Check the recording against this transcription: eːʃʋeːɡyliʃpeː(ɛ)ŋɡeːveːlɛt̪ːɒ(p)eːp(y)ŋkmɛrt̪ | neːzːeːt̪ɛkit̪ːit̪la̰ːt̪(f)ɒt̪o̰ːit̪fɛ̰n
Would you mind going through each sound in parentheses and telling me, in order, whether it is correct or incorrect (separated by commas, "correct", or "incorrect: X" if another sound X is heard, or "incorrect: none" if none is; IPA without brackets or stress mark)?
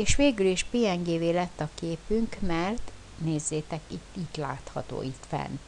correct, incorrect: k, correct, incorrect: h